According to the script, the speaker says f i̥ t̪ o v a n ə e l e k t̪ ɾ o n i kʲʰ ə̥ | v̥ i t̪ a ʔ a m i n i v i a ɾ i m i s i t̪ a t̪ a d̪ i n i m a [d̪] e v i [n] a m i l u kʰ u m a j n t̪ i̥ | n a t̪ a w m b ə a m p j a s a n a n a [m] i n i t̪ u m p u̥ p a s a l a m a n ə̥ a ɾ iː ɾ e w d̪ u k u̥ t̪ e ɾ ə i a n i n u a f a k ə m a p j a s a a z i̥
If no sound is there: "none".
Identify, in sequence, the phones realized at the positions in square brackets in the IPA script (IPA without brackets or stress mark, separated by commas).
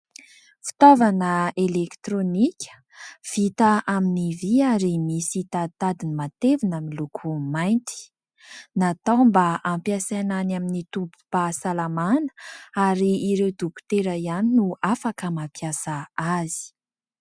t̪, n, m